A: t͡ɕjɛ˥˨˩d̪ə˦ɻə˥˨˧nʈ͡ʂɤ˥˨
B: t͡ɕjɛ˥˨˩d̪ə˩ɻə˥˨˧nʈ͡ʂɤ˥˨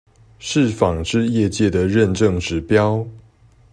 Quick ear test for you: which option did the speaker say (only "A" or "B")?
B